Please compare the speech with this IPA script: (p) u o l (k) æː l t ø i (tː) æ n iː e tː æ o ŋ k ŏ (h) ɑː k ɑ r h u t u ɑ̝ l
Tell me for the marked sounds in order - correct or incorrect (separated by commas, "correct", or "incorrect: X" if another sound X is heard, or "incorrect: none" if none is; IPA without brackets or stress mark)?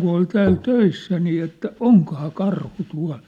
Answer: incorrect: k, incorrect: t, incorrect: sː, correct